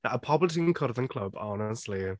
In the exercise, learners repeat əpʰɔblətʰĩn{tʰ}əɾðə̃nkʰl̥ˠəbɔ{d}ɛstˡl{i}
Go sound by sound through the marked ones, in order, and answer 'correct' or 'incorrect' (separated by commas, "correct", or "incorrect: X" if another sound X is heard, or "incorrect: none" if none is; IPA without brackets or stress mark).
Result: incorrect: kʰ, incorrect: n, correct